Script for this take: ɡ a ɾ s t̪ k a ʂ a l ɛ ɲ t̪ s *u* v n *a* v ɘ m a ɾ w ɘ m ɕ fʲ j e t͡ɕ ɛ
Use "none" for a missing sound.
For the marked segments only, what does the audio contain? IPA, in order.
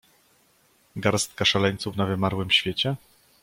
u, a

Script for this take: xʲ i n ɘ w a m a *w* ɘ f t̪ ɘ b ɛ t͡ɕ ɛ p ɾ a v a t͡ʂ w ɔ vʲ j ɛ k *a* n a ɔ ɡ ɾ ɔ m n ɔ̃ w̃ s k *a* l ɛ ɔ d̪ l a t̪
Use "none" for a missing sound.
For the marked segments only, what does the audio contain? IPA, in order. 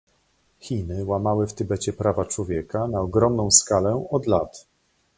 w, a, a

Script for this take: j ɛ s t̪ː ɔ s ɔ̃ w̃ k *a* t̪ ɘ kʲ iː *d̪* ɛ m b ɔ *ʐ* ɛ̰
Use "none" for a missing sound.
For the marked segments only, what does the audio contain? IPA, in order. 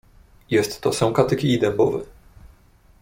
a, d̪, v

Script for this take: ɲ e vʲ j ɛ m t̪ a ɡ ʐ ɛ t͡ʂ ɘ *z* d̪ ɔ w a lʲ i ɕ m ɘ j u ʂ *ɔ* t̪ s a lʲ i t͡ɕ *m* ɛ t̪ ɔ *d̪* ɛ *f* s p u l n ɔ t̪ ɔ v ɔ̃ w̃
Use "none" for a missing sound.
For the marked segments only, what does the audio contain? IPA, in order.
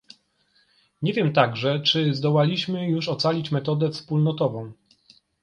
z, ɔ, m, d̪, f

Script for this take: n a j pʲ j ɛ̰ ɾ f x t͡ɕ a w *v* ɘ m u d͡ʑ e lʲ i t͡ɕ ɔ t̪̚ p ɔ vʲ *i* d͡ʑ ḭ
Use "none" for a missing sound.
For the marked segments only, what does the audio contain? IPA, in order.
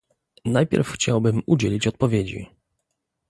b, e

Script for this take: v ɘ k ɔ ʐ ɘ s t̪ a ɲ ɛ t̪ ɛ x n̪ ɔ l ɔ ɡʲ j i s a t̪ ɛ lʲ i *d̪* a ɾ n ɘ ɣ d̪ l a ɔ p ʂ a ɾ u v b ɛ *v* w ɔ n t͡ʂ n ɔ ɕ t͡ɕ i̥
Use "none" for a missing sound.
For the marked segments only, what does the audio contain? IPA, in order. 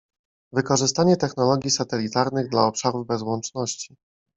t̪, z

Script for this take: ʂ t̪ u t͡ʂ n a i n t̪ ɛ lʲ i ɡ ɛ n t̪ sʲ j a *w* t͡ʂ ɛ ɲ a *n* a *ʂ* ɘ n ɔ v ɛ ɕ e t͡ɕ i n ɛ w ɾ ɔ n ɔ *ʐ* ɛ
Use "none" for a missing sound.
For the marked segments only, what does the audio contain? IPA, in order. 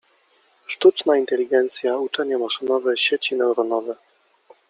u, m, ʂ, v

